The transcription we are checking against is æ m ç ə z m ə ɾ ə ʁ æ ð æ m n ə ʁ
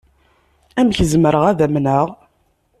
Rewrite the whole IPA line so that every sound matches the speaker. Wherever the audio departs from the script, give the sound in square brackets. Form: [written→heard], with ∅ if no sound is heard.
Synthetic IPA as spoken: æ m ç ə z m ə ɾ ə ʁ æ ð æ m n ə ʁ